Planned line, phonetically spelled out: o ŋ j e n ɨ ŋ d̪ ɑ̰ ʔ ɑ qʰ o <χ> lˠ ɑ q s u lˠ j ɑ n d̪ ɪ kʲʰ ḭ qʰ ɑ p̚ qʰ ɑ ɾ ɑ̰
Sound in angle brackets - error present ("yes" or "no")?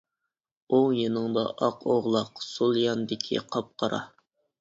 yes